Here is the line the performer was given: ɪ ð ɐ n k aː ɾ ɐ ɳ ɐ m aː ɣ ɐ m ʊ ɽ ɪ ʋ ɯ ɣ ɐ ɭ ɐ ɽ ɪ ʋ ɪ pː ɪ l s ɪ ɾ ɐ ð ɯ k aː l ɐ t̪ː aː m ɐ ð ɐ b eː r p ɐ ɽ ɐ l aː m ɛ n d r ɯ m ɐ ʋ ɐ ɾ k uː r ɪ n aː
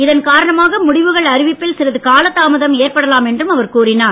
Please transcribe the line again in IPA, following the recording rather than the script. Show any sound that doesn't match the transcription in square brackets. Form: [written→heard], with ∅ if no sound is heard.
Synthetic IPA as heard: ɪ ð ɐ n k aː ɾ ɐ ɳ ɐ m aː ɣ ɐ m ʊ ɽ ɪ ʋ ɯ ɣ ɐ ɭ ɐ [ɽ→ɾ] ɪ ʋ ɪ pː ɪ l s ɪ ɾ ɐ ð ɯ k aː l ɐ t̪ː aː m ɐ ð ɐ [b→m] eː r p ɐ ɽ ɐ l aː m ɛ n d r ɯ m ɐ ʋ ɐ ɾ k uː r ɪ n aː